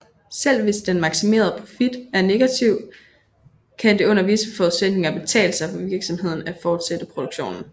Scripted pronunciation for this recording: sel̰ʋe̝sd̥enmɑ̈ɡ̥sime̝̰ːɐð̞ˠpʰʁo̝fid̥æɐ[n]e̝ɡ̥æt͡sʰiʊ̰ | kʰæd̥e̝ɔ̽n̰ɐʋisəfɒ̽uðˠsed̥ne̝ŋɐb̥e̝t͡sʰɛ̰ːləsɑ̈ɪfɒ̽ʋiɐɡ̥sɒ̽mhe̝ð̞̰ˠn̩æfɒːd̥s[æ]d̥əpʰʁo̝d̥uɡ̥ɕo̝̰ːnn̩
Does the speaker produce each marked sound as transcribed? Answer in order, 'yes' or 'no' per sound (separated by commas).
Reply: yes, no